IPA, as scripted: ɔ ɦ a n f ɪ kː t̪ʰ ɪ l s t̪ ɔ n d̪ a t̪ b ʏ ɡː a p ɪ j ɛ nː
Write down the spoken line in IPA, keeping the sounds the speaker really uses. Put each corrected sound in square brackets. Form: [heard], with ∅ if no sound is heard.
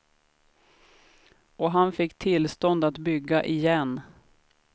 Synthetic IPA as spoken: ɔ ɦ a n f ɪ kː t̪ʰ ɪ l s t̪ ɔ n d̪ a t̪ b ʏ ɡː a [ʔ] ɪ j ɛ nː